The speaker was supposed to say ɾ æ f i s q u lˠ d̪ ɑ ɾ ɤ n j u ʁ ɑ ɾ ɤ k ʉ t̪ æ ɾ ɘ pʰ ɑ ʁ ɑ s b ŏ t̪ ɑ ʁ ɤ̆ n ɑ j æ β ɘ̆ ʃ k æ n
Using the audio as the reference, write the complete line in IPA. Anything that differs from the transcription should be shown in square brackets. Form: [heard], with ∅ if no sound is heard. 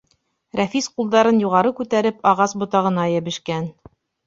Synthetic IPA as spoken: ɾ æ f i s q u lˠ d̪ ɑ ɾ ɤ n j u ʁ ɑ ɾ ɤ k ʉ t̪ æ ɾ ɘ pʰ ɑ ʁ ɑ s b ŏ t̪ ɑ ʁ ɤ̆ n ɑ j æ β ɘ̆ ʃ k æ n